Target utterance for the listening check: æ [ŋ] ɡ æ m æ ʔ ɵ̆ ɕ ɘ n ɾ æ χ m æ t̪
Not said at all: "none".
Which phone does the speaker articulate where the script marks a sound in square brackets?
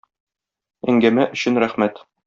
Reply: ŋ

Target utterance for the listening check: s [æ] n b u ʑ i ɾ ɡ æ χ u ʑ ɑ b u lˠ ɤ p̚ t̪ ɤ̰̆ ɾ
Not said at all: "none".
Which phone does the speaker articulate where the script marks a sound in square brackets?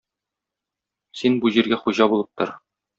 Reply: i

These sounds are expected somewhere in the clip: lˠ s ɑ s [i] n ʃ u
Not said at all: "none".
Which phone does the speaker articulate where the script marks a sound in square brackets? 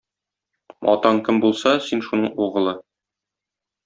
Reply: i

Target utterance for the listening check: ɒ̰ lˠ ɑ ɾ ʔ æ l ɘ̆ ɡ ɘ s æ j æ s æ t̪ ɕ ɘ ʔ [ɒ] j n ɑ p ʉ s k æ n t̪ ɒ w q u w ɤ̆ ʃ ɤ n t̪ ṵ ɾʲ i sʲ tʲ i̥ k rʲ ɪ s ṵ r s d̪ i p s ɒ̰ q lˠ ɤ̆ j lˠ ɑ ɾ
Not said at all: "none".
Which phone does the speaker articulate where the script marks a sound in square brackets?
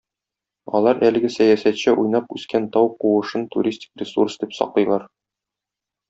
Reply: u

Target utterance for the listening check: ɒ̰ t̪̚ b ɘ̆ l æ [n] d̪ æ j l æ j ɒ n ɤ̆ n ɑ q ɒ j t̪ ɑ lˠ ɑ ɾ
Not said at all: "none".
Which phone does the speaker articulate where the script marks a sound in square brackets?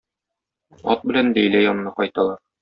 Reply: n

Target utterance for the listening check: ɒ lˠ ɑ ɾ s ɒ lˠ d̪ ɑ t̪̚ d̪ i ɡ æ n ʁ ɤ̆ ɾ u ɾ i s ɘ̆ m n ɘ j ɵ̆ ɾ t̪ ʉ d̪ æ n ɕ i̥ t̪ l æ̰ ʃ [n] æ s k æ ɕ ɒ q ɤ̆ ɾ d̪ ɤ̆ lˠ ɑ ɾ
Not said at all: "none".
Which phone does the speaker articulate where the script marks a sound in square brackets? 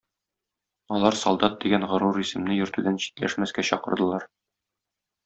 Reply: m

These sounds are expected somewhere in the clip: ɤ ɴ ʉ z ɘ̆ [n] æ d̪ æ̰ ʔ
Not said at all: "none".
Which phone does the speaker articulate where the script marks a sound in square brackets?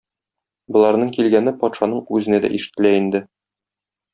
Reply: n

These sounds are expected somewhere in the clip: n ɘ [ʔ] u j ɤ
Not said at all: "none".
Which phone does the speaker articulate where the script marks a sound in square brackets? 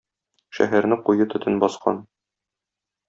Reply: q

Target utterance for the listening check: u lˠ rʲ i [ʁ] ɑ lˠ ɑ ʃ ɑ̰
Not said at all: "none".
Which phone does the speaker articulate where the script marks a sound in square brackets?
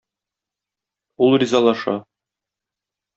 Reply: z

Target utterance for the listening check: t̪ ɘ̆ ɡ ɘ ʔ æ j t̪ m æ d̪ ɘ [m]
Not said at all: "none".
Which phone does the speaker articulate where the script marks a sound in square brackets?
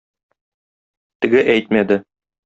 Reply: none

